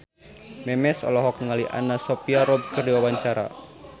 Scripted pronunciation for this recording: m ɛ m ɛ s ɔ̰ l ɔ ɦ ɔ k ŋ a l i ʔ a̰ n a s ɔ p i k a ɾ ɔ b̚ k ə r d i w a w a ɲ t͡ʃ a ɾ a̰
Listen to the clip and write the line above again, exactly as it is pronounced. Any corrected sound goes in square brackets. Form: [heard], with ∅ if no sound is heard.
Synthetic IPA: m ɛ m ɛ s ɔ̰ l ɔ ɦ ɔ k ŋ a l i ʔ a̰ n a s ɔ p i [∅] a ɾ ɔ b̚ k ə r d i w a w a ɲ t͡ʃ a ɾ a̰